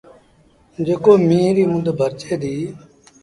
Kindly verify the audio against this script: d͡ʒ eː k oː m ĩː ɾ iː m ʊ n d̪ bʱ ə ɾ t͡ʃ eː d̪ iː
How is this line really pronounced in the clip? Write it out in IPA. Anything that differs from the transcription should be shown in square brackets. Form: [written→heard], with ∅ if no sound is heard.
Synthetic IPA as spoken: d͡ʒ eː k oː m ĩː ɾ iː m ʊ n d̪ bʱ ə ɾ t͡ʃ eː d̪ iː